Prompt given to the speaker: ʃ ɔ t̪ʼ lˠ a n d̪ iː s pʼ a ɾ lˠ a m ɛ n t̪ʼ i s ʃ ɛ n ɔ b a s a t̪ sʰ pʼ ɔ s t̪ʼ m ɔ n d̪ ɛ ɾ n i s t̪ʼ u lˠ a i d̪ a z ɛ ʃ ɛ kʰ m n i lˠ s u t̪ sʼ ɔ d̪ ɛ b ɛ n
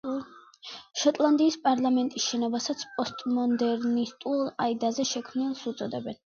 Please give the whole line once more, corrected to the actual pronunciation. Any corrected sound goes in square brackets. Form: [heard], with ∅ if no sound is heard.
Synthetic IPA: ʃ ɔ t̪ʼ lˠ a n d̪ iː s pʼ a ɾ lˠ a m ɛ n t̪ʼ i s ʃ ɛ n ɔ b a s a t̪ sʰ pʼ ɔ s t̪ʼ m ɔ n d̪ ɛ ɾ n i s t̪ʼ u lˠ a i d̪ a z ɛ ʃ ɛ kʰ m n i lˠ s u t̪ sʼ ɔ d̪ ɛ b ɛ n